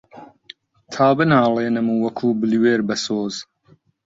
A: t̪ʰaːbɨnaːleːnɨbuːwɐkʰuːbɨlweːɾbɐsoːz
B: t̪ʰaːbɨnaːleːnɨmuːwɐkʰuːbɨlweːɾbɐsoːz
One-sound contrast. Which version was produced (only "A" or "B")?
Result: B